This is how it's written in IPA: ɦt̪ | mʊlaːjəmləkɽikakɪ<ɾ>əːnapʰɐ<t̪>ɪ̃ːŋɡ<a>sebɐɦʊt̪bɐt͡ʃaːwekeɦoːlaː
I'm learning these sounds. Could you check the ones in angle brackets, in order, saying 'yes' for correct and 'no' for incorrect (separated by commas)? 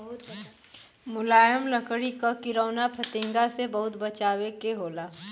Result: yes, yes, yes